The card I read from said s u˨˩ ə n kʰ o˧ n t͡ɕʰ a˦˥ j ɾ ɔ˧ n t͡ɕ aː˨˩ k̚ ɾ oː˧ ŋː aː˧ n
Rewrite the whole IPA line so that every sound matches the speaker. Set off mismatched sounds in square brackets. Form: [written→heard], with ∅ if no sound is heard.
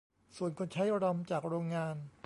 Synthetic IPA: s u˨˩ ə n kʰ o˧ n t͡ɕʰ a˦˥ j ɾ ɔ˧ [n→m] t͡ɕ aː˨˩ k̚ ɾ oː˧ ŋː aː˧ n